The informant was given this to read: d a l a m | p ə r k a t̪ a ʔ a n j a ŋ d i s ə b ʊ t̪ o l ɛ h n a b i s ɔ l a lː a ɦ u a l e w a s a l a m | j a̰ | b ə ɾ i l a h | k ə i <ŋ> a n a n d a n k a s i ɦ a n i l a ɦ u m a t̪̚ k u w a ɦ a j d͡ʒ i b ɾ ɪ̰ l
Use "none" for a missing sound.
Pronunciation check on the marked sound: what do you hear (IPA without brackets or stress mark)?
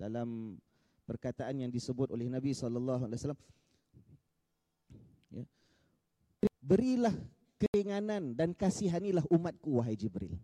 ŋ